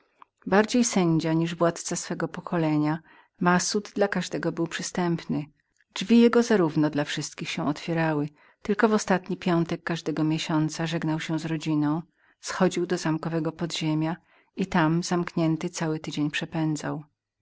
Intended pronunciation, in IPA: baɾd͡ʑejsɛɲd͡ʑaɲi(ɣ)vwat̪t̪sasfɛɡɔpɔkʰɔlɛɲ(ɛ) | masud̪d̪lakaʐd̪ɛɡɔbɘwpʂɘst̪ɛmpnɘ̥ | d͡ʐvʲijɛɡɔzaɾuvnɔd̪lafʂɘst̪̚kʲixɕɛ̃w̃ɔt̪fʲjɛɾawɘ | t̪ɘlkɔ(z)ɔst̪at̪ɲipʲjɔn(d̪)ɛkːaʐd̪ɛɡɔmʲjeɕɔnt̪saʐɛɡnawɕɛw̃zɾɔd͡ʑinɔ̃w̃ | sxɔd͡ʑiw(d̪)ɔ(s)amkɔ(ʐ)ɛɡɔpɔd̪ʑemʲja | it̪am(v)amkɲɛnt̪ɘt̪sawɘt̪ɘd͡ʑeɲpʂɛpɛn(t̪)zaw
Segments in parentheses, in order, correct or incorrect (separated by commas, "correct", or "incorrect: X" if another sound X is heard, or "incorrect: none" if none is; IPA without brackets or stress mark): incorrect: ʐ, incorrect: a, incorrect: v, incorrect: t̪, correct, incorrect: z, incorrect: v, incorrect: z, incorrect: d̪